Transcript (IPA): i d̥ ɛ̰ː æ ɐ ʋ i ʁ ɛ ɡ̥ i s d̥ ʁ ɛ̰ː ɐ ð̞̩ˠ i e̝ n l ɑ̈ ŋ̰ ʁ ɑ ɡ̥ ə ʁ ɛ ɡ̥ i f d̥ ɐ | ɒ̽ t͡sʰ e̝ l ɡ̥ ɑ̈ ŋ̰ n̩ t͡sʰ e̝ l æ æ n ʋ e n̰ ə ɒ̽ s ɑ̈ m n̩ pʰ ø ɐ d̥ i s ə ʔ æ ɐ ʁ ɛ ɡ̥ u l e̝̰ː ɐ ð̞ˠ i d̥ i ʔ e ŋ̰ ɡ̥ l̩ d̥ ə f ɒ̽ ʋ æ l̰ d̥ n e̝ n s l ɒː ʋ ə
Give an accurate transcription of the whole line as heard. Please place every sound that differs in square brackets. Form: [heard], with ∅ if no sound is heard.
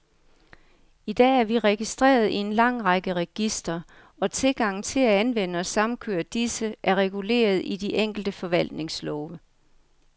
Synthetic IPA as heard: i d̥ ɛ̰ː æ ɐ ʋ i ʁ ɛ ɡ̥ i s d̥ ʁ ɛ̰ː ɐ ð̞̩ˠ i e̝ n l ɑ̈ ŋ̰ ʁ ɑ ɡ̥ ə ʁ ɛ ɡ̥ i [s] d̥ ɐ | ɒ̽ t͡sʰ e̝ l ɡ̥ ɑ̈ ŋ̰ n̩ t͡sʰ e̝ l æ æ n ʋ e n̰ ə ɒ̽ s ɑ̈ m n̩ [kʰ] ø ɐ d̥ i s ə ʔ æ ɐ ʁ ɛ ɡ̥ u l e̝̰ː ɐ ð̞ˠ i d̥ i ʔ e ŋ̰ ɡ̥ l̩ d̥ ə f ɒ̽ ʋ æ l̰ d̥ n e̝ [ŋ] s l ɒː ʋ ə